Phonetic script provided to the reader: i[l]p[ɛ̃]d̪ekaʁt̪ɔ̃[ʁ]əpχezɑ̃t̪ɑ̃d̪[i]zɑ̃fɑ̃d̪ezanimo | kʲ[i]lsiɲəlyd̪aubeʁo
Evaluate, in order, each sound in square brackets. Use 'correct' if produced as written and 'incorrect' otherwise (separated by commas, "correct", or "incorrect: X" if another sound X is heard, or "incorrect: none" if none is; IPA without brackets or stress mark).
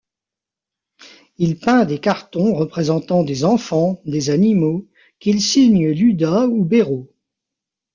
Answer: correct, correct, correct, incorrect: e, correct